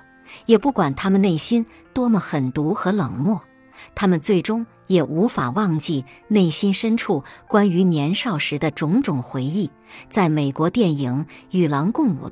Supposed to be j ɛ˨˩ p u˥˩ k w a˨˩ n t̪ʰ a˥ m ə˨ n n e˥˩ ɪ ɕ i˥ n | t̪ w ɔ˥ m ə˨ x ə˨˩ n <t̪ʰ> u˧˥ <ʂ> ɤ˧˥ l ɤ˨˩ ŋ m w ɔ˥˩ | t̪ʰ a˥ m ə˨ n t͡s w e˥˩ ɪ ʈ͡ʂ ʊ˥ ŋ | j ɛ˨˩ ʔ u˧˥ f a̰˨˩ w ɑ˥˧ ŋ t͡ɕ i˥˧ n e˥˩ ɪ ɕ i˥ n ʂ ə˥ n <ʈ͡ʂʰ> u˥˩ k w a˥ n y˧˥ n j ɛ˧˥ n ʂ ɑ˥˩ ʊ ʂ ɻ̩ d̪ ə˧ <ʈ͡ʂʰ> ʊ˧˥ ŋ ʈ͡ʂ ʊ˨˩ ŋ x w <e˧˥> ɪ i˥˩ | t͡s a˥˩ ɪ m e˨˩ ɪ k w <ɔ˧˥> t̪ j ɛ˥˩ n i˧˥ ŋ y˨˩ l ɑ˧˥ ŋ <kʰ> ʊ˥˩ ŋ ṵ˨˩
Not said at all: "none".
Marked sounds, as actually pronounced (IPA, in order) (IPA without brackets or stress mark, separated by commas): t̪, x, ʈ͡ʂʰ, ʈ͡ʂ, e˧˥, ɔ˧˥, k